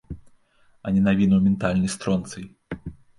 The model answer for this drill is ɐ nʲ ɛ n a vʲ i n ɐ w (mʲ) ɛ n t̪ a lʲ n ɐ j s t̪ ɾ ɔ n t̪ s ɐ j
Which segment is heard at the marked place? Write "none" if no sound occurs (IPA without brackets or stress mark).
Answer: mʲ